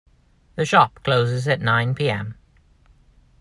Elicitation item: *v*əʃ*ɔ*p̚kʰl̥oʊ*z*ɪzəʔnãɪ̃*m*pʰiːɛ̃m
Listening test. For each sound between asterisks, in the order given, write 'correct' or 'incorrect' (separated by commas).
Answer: incorrect, incorrect, correct, incorrect